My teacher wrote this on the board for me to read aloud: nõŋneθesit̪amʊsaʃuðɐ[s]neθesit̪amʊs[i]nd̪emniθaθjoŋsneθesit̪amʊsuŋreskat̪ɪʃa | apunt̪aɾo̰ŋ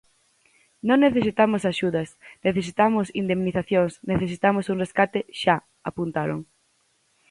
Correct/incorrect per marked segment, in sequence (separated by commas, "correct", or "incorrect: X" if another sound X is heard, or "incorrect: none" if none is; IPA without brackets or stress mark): correct, correct